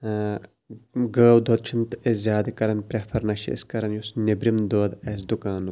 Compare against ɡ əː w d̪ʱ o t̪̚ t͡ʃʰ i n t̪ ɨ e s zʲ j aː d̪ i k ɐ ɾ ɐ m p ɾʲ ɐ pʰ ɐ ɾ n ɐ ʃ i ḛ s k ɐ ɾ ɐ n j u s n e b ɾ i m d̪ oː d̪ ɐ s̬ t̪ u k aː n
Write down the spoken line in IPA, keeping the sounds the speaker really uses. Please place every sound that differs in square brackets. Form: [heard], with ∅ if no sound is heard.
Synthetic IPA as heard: ɡ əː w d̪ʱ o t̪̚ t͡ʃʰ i n t̪ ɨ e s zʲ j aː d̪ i k ɐ ɾ ɐ [n] p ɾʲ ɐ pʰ ɐ ɾ n ɐ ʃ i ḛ s k ɐ ɾ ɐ n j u s n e b ɾ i m d̪ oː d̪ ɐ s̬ [d̪] u k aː n